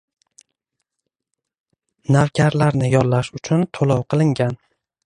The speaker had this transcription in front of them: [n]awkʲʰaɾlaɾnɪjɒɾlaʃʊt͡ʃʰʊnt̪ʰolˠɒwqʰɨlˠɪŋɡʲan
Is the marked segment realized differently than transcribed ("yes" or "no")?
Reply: no